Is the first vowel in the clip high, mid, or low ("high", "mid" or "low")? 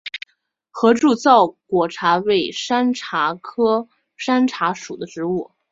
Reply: mid